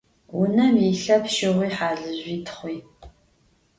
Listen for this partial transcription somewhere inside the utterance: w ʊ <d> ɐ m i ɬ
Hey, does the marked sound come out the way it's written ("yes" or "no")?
no